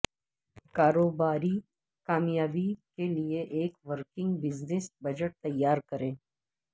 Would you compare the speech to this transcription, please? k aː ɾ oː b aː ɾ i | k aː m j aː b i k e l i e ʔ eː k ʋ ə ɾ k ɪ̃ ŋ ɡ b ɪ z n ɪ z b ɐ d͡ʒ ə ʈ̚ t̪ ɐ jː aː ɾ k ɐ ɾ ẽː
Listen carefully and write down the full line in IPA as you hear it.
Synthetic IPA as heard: k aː ɾ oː b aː ɾ i | k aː m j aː b i k e l i e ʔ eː k ʋ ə ɾ k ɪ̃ ŋ ɡ b ɪ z n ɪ s b ɐ d͡ʒ ə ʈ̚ t̪ ɐ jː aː ɾ k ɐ ɾ ẽː